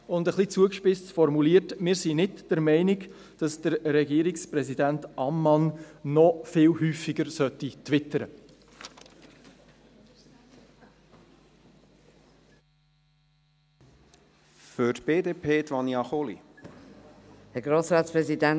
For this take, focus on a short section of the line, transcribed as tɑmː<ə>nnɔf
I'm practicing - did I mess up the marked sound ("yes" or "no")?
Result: yes